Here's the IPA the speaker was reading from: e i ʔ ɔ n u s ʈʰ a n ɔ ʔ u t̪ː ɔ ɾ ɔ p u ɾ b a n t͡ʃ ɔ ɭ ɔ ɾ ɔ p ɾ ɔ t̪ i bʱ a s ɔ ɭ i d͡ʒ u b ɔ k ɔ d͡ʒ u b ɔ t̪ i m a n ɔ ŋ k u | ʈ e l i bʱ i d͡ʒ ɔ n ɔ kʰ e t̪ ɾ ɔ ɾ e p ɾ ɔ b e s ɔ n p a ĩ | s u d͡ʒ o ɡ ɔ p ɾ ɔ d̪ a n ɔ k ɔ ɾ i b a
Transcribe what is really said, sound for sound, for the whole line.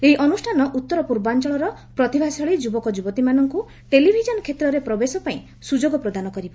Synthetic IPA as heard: e i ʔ ɔ n u s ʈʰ a n ɔ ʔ u t̪ː ɔ ɾ ɔ p u ɾ b a n t͡ʃ ɔ ɭ ɔ ɾ ɔ p ɾ ɔ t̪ i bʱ a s ɔ ɭ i d͡ʒ u b ɔ k ɔ d͡ʒ u b ɔ t̪ i m a n ɔ ŋ k u | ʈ e l i bʱ i d͡ʒ ɔ n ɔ kʰ e t̪ ɾ ɔ ɾ e p ɾ ɔ b e s ɔ p a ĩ | s u d͡ʒ o ɡ ɔ p ɾ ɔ d̪ a n ɔ k ɔ ɾ i b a